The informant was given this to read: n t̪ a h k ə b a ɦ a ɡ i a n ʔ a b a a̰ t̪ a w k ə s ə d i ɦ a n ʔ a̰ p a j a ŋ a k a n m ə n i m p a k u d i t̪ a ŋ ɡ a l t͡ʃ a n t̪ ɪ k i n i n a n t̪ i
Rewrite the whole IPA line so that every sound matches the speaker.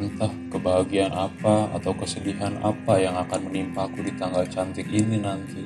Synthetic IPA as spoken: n t̪ a h k ə b a ɦ a ɡ i a n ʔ a p a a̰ t̪ a w k ə s ə d i ɦ a n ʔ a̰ p a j a ŋ a k a n m ə n i m p a k u d i t̪ a ŋ ɡ a l t͡ʃ a n t̪ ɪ k i n i n a n t̪ i